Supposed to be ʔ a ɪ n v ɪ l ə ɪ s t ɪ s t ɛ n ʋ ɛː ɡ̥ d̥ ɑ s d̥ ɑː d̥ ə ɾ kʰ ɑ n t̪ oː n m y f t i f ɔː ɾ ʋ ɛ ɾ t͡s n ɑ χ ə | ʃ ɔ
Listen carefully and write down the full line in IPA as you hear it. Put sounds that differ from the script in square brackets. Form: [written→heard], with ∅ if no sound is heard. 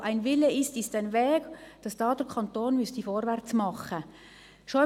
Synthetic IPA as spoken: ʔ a ɪ n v ɪ l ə ɪ s t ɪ s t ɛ n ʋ ɛː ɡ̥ d̥ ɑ s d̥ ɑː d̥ ə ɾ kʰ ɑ n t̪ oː n m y [f→s] t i f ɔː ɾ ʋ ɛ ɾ t͡s [n→m] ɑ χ ə | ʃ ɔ